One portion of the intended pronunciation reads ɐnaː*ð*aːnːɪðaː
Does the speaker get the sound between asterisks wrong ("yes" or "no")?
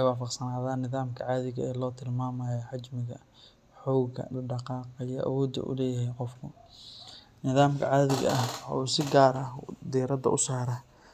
no